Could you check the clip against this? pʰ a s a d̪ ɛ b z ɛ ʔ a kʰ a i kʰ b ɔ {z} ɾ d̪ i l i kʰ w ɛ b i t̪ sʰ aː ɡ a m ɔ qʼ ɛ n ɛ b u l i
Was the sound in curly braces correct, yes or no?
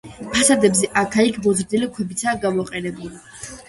yes